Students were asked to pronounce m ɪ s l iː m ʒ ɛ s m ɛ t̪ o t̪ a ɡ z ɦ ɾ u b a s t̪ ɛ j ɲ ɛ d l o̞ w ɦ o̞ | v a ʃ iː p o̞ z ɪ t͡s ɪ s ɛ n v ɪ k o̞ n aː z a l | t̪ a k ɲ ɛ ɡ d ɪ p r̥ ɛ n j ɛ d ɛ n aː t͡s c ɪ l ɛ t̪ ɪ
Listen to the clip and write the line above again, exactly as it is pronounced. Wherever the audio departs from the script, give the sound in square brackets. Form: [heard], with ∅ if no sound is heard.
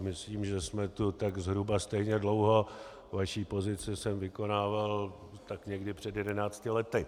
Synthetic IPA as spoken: m ɪ s l iː m ʒ ɛ s m ɛ t̪ [u] t̪ a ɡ z ɦ ɾ u b a s t̪ ɛ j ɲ ɛ d l o̞ w ɦ o̞ | v a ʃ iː p o̞ z ɪ t͡s ɪ s ɛ [m] v ɪ k o̞ n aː [v] a l | t̪ a k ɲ ɛ ɡ d ɪ p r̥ ɛ [d] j ɛ d ɛ n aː t͡s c ɪ l ɛ t̪ ɪ

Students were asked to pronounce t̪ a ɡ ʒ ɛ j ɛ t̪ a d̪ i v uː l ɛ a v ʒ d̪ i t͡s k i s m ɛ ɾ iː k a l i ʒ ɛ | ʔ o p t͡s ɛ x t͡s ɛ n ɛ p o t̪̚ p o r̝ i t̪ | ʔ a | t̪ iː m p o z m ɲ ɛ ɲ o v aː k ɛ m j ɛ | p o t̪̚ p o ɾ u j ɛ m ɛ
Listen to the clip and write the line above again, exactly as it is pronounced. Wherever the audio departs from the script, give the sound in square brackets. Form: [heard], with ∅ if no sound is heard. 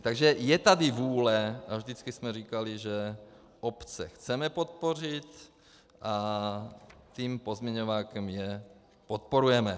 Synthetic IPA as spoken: t̪ a ɡ ʒ ɛ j ɛ t̪ a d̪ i v uː l ɛ a v ʒ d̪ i t͡s k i s m ɛ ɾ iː k a l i ʒ ɛ | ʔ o p t͡s ɛ x t͡s ɛ [m] ɛ p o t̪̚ p o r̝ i t̪ | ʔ a | t̪ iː m p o z m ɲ ɛ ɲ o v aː k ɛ m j ɛ | p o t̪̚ p o ɾ u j ɛ m ɛ

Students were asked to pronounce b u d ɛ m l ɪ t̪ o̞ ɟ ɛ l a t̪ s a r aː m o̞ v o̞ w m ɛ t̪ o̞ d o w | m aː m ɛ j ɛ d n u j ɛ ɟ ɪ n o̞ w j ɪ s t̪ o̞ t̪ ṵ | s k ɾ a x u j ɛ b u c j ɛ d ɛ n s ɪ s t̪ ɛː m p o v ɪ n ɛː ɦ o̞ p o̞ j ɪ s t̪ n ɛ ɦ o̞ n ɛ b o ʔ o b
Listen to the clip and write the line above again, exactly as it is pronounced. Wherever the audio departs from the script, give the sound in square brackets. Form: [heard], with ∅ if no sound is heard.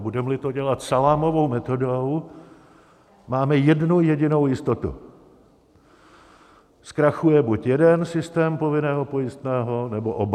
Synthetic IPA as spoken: b u d ɛ m l ɪ t̪ o̞ ɟ ɛ l a t̪ s a [l] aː m o̞ v o̞ w m ɛ t̪ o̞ d o w | m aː m ɛ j ɛ d n u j ɛ ɟ ɪ n o̞ w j ɪ s t̪ o̞ t̪ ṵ | s k ɾ a x u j ɛ b u c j ɛ d ɛ n s ɪ s t̪ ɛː m p o v ɪ n ɛː ɦ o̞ p o̞ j ɪ s t̪ n [ɛː] ɦ o̞ n ɛ b o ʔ o b

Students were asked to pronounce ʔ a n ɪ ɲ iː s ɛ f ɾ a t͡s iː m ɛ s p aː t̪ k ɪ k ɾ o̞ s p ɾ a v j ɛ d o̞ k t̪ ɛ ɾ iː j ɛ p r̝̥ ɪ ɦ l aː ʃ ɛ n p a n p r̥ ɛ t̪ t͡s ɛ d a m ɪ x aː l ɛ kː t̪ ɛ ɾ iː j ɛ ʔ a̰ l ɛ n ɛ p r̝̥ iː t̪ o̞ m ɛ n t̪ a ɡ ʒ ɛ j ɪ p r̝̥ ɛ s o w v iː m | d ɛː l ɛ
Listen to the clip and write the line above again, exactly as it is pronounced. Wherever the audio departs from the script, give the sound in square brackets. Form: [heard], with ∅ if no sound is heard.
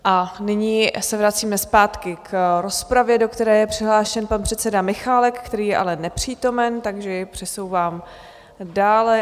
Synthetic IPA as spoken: ʔ a n ɪ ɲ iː s ɛ [v] ɾ a t͡s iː m ɛ s p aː t̪ k ɪ k ɾ o̞ s p ɾ a v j ɛ d o̞ k t̪ ɛ ɾ [ɛː] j ɛ p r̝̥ ɪ ɦ l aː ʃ ɛ n p a n p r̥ ɛ t̪ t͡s ɛ d a m ɪ x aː l ɛ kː t̪ ɛ ɾ iː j ɛ ʔ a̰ l ɛ n ɛ p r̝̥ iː t̪ o̞ m ɛ n t̪ a ɡ ʒ ɛ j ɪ p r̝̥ ɛ s o w v [aː] m | d [aː] l ɛ

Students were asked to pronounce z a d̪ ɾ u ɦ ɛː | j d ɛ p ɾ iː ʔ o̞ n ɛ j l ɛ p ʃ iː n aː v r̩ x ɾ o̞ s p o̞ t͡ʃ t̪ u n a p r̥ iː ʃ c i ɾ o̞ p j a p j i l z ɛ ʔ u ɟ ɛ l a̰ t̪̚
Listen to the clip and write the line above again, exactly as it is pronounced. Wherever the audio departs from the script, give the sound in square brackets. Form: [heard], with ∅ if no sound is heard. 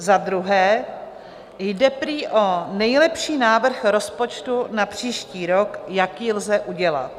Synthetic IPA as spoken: z a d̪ ɾ u ɦ ɛː | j d ɛ p ɾ iː ʔ o̞ n ɛ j l ɛ p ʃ iː n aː v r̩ x ɾ o̞ s p o̞ t͡ʃ t̪ u n a p r̥ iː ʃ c [iː] ɾ o̞ [k] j a [k] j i l z ɛ ʔ u ɟ ɛ l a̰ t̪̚

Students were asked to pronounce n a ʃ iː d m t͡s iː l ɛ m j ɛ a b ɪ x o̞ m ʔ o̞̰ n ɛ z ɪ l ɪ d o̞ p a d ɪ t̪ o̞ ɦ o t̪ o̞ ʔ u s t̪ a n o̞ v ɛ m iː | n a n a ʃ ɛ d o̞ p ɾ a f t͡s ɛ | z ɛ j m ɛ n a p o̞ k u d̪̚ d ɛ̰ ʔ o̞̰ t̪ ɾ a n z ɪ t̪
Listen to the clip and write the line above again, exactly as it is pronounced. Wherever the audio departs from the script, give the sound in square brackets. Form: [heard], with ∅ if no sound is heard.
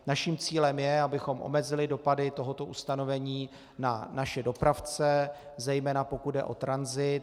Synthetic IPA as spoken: n a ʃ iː [∅] m t͡s iː l ɛ m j ɛ a b ɪ x o̞ m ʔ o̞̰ [m] ɛ z ɪ l ɪ d o̞ p a d ɪ t̪ o̞ ɦ o t̪ o̞ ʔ u s t̪ a n o̞ v ɛ [ɲ] iː | n a n a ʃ ɛ d o̞ p ɾ a f t͡s ɛ | z ɛ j m [ɛː] n a p o̞ k u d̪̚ d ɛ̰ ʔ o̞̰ t̪ ɾ a n z ɪ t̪

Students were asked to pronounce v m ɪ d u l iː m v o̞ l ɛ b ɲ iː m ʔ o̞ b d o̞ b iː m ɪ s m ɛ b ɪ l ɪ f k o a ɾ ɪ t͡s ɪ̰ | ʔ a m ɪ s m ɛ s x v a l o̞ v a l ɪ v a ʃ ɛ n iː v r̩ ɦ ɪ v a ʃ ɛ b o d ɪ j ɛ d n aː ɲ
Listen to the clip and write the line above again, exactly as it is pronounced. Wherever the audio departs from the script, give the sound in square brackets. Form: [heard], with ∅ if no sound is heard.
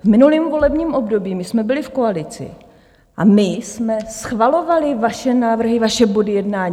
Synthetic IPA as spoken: v m ɪ [n] u l iː m v o̞ l ɛ b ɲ iː m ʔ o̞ b d o̞ b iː m ɪ s m ɛ b ɪ l ɪ f k o a [l] ɪ t͡s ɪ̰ | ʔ a m ɪ s m ɛ s x v a l o̞ v a l ɪ v a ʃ ɛ n [aː] v r̩ ɦ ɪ v a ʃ ɛ b o d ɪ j ɛ d n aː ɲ

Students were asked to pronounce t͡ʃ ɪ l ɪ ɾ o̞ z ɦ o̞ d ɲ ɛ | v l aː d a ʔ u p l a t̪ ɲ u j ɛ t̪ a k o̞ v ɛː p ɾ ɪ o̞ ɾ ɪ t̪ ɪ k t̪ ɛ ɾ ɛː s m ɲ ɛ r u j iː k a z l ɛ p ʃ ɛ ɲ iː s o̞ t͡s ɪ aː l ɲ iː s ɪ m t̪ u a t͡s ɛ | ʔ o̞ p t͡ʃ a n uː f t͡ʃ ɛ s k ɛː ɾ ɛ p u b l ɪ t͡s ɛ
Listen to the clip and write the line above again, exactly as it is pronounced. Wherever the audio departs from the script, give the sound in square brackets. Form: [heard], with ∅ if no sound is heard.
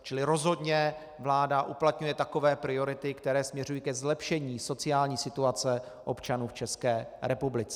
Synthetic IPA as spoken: t͡ʃ ɪ l ɪ ɾ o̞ z ɦ o̞ d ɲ ɛ | v l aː d a ʔ u p l a t̪ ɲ u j ɛ t̪ a k o̞ v ɛː p ɾ ɪ o̞ ɾ ɪ t̪ ɪ k t̪ ɛ ɾ ɛː s m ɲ ɛ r u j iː k [ɛ] z l ɛ p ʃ ɛ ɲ iː s o̞ t͡s ɪ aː l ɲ iː s ɪ [∅] t̪ u a t͡s ɛ | ʔ o̞ p t͡ʃ a n uː f t͡ʃ ɛ s k ɛː ɾ ɛ p u b l ɪ t͡s ɛ

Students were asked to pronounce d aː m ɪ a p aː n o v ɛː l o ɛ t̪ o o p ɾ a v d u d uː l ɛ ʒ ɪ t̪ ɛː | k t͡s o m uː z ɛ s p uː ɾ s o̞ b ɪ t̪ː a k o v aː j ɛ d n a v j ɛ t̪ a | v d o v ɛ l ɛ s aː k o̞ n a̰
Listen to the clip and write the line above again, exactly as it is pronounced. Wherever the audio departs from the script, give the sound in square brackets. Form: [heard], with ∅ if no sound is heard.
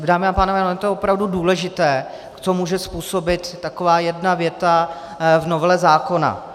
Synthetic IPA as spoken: d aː m ɪ a p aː n o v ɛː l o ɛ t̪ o o p ɾ a v d u d uː l ɛ ʒ ɪ t̪ ɛː | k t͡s o m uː [ʒ] ɛ s p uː [∅] s o̞ b ɪ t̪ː a k o v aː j ɛ d n a v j ɛ t̪ a | v [n] o v ɛ l ɛ [z] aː k o̞ n a̰

